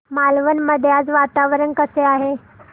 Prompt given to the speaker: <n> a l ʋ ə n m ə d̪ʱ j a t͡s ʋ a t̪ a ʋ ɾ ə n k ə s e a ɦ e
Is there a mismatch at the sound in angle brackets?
yes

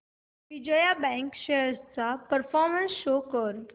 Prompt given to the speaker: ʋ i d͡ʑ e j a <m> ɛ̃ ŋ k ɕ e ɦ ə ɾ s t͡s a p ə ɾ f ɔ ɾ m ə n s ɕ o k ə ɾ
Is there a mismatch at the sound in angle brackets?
yes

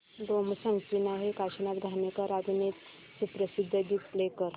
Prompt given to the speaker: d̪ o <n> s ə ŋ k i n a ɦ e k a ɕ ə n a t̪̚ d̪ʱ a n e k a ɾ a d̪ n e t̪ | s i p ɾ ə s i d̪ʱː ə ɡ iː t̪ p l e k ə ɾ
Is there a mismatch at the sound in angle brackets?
yes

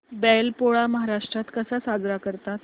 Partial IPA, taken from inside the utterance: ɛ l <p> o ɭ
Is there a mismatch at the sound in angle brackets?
no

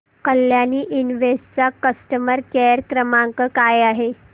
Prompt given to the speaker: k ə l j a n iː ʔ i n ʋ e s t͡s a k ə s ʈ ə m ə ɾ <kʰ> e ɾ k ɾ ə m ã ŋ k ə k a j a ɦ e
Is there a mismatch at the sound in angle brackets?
yes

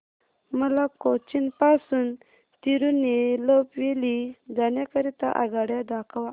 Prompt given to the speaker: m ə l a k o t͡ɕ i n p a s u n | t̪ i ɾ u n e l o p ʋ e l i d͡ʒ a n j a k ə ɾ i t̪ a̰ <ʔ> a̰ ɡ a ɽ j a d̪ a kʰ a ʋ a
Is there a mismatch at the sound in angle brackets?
no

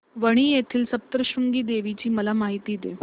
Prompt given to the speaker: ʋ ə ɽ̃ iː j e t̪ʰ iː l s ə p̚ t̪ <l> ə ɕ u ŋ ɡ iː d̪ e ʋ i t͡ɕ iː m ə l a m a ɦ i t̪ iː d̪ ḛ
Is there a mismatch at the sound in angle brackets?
yes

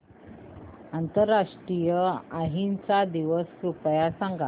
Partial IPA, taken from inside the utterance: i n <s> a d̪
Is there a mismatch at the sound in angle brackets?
yes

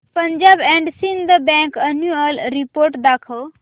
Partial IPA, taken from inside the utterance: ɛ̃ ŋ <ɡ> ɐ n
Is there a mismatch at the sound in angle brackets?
yes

